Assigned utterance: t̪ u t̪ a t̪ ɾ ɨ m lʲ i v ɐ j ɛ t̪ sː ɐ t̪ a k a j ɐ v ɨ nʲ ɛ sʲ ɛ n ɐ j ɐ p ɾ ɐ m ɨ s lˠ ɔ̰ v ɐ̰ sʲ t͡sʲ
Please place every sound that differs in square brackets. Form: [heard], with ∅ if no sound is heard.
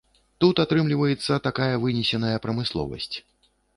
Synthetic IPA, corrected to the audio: t̪ u t̪ a t̪ ɾ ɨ m lʲ i v ɐ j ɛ t̪ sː ɐ t̪ a k a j ɐ v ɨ nʲ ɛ sʲ ɛ n ɐ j ɐ p ɾ ɐ m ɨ s lˠ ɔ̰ v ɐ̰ sʲ t͡sʲ